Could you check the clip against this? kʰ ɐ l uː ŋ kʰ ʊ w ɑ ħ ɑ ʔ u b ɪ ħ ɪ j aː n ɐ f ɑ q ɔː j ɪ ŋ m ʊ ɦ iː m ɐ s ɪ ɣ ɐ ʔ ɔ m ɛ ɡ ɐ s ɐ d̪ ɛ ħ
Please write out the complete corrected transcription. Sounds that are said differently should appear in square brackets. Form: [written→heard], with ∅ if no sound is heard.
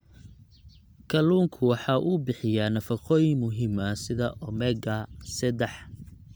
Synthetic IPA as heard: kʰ ɐ l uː ŋ kʰ ʊ w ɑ ħ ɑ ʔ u b ɪ ħ ɪ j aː n ɐ f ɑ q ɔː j ɪ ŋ m ʊ ɦ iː m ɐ s ɪ [ɣ→ð] ɐ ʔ ɔ m ɛ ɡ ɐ s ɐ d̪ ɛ ħ